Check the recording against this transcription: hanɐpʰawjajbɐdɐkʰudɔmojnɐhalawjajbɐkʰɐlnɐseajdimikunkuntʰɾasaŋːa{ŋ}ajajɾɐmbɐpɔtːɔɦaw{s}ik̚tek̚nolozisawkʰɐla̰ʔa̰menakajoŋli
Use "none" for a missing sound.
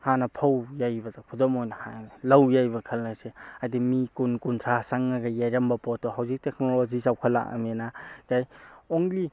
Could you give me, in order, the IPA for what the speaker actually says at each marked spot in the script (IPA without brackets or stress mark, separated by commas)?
ɡ, z